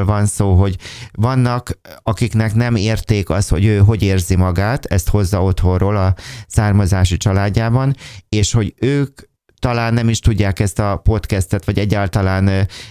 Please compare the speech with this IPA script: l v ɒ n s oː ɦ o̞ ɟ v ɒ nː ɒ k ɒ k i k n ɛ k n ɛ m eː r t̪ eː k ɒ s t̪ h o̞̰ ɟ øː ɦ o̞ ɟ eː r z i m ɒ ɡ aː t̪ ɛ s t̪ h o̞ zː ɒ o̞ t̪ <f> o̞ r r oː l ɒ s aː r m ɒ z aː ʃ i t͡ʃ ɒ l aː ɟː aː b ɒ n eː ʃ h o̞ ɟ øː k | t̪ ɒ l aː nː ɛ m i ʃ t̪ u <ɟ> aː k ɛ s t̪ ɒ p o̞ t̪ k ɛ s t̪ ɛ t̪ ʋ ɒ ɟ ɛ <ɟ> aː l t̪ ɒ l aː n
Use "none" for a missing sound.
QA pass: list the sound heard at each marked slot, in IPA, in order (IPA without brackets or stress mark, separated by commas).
h, ɟː, ɟː